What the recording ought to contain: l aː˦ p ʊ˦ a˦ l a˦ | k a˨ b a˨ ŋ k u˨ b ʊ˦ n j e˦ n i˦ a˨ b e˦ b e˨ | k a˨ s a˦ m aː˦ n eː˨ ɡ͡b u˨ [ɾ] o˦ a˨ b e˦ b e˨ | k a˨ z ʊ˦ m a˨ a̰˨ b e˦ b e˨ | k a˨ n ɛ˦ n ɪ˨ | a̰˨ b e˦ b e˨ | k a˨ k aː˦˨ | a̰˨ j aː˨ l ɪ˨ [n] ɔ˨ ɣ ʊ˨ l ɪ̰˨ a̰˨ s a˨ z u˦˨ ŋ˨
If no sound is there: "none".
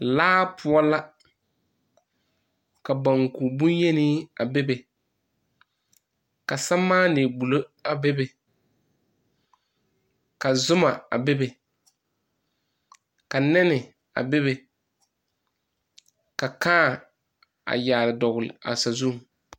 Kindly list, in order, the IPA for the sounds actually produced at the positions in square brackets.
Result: l, d

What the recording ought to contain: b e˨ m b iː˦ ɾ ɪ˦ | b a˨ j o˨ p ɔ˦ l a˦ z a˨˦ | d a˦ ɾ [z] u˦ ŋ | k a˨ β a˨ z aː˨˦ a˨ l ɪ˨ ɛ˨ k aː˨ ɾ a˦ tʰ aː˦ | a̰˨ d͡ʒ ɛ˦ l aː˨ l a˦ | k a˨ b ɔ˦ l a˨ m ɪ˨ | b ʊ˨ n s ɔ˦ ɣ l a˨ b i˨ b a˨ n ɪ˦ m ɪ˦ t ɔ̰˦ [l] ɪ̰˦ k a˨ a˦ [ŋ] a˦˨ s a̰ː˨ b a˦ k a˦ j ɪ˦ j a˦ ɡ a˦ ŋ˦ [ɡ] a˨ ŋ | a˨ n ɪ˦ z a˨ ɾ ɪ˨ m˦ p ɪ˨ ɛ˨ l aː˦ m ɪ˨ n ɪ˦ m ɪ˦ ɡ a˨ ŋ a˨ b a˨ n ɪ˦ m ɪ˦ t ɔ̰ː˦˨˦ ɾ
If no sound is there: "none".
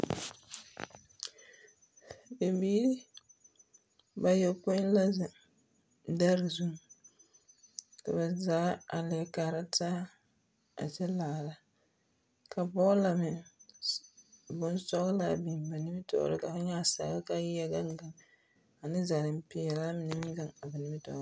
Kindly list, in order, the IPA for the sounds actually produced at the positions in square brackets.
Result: z, ɾ, ɲ, ɡ

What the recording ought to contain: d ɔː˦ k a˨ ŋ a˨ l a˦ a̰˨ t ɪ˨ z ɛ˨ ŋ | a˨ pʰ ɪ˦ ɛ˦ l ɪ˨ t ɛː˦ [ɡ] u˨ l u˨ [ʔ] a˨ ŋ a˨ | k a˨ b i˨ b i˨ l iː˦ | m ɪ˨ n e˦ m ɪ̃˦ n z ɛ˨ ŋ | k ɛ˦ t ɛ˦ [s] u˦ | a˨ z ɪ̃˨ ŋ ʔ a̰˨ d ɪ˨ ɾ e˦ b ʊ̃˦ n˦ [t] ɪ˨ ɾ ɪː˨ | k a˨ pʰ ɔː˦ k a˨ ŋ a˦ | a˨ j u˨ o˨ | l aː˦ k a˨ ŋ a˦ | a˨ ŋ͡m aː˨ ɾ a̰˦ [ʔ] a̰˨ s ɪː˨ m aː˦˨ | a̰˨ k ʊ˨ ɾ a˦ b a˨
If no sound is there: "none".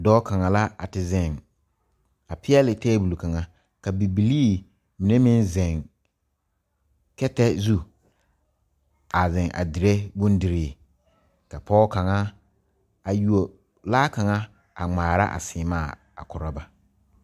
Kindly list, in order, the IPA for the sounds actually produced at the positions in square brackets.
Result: b, k, z, d, ʔ

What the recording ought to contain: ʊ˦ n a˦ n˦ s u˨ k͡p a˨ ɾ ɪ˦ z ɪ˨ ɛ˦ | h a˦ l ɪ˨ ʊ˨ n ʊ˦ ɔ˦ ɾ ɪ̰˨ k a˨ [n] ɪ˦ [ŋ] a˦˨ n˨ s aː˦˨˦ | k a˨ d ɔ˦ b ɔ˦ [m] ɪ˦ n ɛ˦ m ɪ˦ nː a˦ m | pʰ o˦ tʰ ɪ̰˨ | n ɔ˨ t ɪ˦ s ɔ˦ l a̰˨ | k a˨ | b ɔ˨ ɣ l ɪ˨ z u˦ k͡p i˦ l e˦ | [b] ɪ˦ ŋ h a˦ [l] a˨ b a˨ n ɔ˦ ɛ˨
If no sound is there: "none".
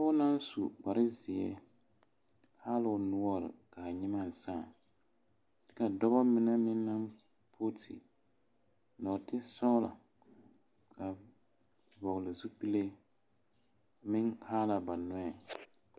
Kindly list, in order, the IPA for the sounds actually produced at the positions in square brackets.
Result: ɲ, m, m, m, l

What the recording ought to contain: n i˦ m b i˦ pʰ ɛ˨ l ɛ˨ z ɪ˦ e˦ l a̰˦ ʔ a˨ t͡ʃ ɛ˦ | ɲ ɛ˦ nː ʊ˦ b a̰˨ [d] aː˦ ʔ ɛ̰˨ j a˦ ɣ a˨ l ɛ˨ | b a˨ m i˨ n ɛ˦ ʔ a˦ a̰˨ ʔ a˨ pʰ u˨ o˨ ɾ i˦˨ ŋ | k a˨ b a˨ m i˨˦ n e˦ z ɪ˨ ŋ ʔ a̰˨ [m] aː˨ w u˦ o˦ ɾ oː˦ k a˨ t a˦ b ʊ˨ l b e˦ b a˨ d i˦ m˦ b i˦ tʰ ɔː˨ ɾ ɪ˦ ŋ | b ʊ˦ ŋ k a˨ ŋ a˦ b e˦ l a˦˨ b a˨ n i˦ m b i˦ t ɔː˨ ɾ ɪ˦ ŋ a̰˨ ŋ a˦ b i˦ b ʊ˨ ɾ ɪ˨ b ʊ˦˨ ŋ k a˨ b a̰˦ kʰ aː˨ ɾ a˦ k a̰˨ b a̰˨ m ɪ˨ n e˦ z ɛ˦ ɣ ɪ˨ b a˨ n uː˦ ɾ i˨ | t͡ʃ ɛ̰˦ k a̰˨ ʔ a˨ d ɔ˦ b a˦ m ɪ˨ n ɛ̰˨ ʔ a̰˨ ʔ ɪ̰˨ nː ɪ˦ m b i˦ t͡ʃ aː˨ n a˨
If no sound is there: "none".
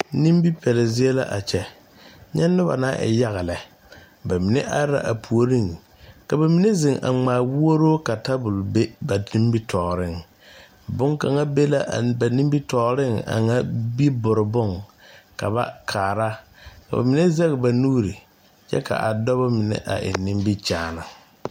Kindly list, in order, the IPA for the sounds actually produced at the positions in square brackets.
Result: n, ŋ͡m

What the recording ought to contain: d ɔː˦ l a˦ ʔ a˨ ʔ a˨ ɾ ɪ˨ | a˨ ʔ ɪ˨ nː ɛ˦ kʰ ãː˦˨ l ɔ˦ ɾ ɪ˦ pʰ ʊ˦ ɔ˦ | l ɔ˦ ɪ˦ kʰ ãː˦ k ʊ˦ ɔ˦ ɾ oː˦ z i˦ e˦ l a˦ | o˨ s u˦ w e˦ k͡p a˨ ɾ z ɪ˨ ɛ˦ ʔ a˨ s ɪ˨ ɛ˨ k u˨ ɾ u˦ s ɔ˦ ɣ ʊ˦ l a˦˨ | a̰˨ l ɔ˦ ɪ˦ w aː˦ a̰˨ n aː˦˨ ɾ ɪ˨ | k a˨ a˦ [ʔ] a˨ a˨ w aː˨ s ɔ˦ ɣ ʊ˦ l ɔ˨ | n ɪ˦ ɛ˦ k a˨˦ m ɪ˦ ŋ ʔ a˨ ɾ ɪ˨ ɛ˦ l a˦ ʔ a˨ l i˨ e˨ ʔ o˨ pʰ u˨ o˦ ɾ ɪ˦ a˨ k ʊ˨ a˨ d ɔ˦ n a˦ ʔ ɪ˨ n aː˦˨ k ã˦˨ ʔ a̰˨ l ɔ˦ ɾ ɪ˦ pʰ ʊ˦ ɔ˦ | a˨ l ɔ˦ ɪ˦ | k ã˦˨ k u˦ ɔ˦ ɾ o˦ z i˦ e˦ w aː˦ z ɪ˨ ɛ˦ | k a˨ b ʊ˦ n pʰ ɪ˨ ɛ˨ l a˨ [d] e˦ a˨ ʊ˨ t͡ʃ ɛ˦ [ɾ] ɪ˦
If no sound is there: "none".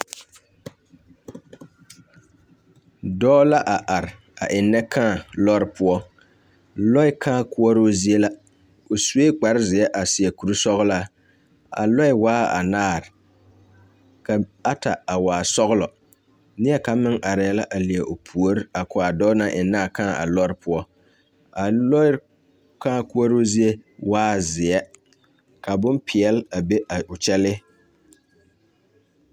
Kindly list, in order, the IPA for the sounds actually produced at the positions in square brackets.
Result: t, b, l

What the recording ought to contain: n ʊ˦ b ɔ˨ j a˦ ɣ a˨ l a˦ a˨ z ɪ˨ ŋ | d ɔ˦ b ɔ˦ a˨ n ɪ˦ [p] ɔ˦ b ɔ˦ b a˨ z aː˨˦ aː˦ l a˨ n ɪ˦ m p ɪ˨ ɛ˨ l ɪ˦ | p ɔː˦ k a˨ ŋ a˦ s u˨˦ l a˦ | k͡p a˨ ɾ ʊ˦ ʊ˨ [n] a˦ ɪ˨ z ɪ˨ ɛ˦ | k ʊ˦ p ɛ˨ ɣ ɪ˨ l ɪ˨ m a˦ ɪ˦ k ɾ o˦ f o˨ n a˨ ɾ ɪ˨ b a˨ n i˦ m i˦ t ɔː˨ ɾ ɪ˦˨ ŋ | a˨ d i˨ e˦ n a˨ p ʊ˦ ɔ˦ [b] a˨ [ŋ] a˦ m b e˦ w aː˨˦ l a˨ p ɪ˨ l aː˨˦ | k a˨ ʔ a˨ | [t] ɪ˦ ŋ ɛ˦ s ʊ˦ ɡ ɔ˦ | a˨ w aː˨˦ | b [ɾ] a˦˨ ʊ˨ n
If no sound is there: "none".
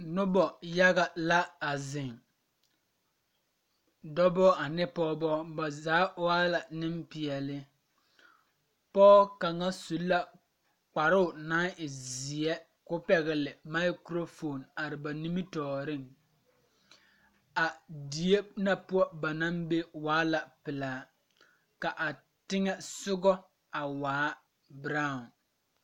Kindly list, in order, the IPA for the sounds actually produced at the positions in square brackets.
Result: p, n, b, n, t, ɾ

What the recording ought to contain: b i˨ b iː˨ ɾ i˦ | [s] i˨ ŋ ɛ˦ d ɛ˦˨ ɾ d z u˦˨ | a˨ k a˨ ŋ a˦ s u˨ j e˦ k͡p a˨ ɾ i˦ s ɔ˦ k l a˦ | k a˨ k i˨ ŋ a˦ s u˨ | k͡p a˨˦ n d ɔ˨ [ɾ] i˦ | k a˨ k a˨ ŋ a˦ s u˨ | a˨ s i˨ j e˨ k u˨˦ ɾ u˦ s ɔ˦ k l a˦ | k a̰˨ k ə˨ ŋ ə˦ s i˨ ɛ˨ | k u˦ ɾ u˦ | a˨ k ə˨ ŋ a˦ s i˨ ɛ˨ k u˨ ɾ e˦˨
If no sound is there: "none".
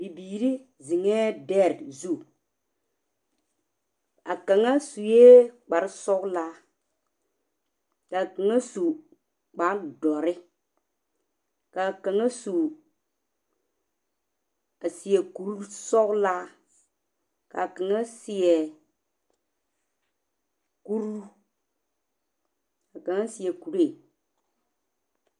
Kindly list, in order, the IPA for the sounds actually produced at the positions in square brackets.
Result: z, ɾ

